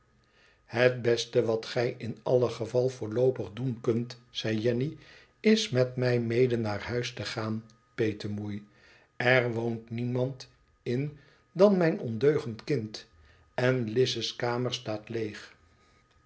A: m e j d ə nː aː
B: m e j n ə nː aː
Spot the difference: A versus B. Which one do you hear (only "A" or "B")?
A